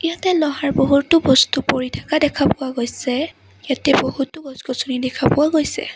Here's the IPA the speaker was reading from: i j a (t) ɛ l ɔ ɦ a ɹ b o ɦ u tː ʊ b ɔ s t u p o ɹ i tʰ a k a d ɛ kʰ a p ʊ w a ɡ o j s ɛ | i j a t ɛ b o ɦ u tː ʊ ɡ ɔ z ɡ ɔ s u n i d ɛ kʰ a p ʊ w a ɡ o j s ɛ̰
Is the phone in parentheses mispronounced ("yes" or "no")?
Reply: no